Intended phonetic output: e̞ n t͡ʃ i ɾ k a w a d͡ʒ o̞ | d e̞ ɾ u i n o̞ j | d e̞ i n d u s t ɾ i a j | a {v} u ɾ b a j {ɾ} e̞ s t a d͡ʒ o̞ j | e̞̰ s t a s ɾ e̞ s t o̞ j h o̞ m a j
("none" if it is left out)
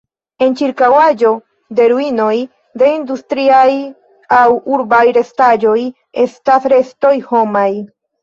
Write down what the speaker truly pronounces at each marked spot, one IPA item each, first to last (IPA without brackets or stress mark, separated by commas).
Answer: w, ɾ